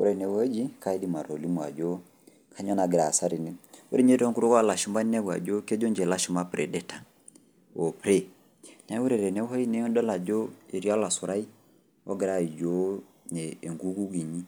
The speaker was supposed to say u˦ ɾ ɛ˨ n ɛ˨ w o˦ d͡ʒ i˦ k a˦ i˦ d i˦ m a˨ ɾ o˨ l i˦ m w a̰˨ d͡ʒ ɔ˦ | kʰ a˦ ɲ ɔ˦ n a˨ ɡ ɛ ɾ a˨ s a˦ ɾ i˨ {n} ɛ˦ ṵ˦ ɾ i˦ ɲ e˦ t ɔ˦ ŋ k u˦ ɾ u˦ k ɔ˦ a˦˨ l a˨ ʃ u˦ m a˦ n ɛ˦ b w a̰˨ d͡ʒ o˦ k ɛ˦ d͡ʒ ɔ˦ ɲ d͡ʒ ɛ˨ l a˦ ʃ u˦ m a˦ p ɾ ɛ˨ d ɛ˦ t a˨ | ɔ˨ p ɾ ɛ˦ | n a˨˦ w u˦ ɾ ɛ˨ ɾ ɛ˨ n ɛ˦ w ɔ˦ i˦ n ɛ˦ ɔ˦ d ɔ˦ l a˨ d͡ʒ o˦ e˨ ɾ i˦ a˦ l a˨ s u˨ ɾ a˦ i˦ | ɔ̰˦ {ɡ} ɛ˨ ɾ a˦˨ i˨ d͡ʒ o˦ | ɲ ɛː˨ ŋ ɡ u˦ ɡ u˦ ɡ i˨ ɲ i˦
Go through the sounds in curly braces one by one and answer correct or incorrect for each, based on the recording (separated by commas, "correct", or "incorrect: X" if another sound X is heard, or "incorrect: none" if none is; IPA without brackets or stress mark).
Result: correct, correct